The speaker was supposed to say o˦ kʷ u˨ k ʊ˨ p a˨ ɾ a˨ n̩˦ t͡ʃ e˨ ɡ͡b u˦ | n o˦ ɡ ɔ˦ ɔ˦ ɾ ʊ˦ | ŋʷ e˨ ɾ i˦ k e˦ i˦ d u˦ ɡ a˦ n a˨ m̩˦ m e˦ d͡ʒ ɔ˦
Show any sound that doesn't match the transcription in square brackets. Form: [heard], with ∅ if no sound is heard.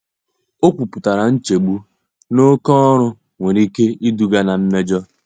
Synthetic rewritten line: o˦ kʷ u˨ [p] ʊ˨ [t] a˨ ɾ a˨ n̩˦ t͡ʃ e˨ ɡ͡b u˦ | n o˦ [k] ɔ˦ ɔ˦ ɾ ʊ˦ | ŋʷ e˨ ɾ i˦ k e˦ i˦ d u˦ ɡ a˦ n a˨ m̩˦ m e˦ d͡ʒ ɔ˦